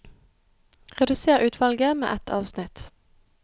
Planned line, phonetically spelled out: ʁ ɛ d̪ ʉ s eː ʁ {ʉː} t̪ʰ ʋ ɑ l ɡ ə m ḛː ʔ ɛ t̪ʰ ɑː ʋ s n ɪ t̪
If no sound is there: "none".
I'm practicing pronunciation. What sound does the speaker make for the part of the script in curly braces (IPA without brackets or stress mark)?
ʉː